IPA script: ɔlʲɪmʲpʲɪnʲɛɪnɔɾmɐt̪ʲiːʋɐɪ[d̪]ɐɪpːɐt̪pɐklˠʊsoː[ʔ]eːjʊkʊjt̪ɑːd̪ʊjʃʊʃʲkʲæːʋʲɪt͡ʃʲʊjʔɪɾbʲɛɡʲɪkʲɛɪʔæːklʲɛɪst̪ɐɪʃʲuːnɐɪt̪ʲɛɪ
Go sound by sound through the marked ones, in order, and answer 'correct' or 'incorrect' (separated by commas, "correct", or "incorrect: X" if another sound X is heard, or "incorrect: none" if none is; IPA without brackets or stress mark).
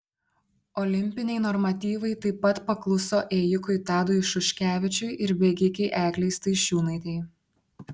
incorrect: t̪, correct